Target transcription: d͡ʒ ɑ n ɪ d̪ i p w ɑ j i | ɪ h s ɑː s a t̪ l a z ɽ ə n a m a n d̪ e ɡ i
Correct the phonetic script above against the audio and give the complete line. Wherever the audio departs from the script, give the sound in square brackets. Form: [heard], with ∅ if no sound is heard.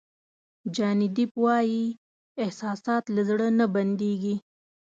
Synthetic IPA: d͡ʒ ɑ n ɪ d̪ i p w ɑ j i | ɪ h s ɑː s [ɑ] t̪ l a z ɽ ə n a [b] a n d̪ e ɡ i

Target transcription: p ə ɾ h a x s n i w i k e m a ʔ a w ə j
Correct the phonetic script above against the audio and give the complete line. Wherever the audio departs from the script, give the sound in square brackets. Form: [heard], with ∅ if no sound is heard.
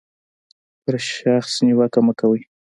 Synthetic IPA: p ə ɾ [ʃ] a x s n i w [a] k [a] m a [k] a w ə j

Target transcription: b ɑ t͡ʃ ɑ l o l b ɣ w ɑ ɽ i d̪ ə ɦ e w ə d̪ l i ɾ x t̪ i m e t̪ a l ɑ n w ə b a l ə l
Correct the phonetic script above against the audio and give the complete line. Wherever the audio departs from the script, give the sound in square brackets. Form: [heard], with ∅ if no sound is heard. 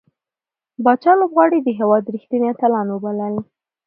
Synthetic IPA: b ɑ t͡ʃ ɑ l o [∅] b ɣ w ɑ ɽ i d̪ ə ɦ e w [ɑ] d̪ [ɾ] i [∅] x t̪ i [n] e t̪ a l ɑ n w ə b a l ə l

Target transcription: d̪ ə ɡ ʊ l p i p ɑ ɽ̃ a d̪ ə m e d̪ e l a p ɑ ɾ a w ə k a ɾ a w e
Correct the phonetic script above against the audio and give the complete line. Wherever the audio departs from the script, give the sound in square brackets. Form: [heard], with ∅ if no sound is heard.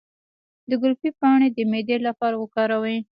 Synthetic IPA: d̪ ə ɡ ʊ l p i p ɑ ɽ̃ [e] d̪ ə m e d̪ e l a p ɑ ɾ a w ə k [ɑ] ɾ a w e

